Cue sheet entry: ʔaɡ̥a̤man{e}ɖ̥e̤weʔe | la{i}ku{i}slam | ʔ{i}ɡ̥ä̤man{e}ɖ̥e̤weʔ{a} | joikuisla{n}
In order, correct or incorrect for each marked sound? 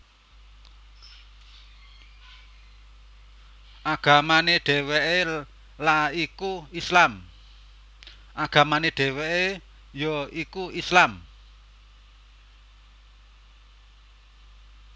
correct, correct, correct, incorrect, correct, incorrect, incorrect

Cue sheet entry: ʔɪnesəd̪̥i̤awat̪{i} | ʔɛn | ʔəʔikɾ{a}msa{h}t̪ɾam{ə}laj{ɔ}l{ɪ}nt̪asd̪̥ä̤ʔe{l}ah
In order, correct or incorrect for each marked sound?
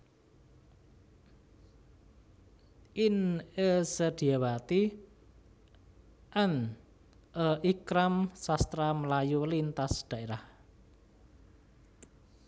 correct, correct, incorrect, correct, incorrect, incorrect, incorrect

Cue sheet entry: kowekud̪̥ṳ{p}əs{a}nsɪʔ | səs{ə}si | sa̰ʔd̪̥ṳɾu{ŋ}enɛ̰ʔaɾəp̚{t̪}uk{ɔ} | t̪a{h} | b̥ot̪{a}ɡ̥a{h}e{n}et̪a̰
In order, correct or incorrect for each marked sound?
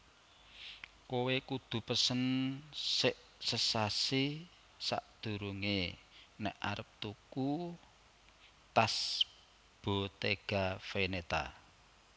correct, incorrect, incorrect, correct, correct, incorrect, incorrect, incorrect, incorrect, correct

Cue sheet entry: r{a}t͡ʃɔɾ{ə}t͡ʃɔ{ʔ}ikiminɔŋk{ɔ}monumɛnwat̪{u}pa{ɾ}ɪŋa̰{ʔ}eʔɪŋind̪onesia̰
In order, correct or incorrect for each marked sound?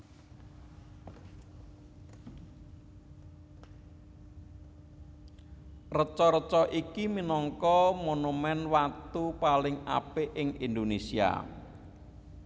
incorrect, correct, correct, correct, correct, incorrect, incorrect

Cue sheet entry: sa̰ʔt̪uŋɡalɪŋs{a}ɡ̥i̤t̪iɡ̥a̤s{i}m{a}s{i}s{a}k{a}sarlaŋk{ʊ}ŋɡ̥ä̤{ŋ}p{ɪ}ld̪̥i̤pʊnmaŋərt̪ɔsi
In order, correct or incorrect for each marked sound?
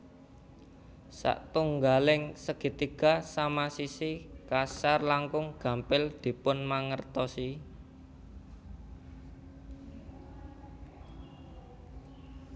incorrect, incorrect, correct, correct, incorrect, correct, correct, incorrect, correct

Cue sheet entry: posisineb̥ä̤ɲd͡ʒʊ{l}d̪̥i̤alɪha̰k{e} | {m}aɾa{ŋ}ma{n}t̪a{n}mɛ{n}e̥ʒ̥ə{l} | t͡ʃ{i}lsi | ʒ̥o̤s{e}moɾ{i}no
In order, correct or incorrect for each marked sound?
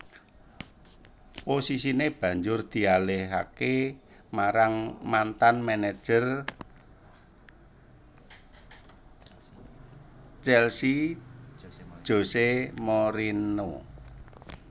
incorrect, correct, correct, correct, correct, correct, correct, incorrect, incorrect, correct, correct

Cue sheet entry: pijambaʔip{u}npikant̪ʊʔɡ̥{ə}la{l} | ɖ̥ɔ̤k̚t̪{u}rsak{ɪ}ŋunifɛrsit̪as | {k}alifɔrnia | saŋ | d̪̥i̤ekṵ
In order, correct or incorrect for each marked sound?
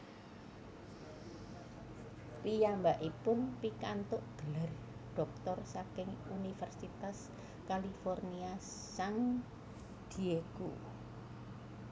incorrect, correct, incorrect, incorrect, correct, correct

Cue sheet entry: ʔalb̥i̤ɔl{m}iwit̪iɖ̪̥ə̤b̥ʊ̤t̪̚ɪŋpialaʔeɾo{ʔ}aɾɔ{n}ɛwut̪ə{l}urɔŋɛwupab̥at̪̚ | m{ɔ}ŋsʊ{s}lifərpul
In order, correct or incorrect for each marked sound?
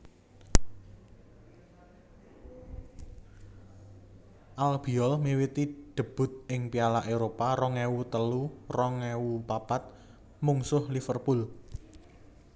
correct, incorrect, incorrect, correct, incorrect, incorrect

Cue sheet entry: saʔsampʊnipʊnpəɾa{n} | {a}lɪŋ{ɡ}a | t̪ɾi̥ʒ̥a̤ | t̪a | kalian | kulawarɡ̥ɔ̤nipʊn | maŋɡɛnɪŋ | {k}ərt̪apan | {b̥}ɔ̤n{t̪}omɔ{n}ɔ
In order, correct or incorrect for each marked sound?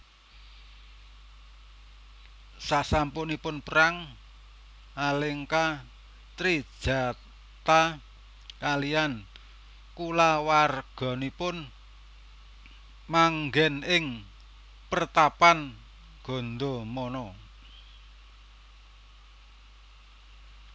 incorrect, correct, incorrect, incorrect, incorrect, incorrect, correct

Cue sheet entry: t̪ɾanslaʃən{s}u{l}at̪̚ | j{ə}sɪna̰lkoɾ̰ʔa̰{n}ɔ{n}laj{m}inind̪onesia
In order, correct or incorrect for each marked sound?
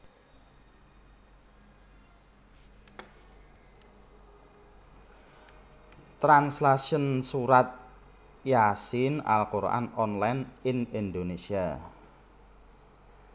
correct, incorrect, incorrect, correct, correct, incorrect

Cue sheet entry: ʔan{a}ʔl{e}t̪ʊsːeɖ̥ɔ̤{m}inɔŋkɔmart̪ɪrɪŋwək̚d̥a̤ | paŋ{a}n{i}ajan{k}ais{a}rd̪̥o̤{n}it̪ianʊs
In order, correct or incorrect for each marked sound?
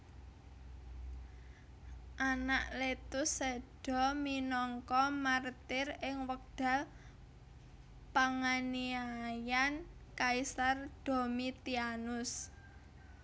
correct, correct, correct, correct, correct, correct, correct, incorrect

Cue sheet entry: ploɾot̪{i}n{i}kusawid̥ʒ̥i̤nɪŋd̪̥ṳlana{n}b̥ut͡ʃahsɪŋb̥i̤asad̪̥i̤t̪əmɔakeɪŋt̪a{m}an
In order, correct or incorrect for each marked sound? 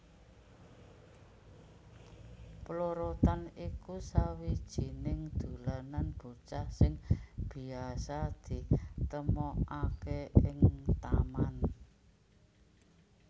incorrect, correct, correct, correct

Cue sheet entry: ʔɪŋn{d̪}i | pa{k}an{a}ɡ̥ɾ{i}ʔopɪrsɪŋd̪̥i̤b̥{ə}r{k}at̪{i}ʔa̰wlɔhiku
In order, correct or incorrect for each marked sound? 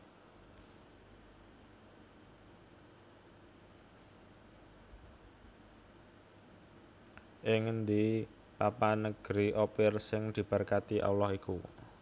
correct, incorrect, incorrect, correct, correct, correct, correct

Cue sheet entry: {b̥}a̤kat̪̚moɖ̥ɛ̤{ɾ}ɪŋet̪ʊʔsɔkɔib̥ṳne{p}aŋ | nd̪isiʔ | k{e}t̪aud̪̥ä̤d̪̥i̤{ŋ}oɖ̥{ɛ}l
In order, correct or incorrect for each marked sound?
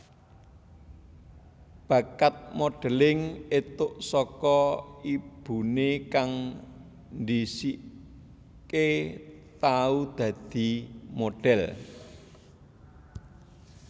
correct, incorrect, incorrect, correct, incorrect, correct

